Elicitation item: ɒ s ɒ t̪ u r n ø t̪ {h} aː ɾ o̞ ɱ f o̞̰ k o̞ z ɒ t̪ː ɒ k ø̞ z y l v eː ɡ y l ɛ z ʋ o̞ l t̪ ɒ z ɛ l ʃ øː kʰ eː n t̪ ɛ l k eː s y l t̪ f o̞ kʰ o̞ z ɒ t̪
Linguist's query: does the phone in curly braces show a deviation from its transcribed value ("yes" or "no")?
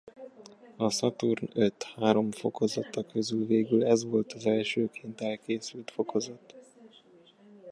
no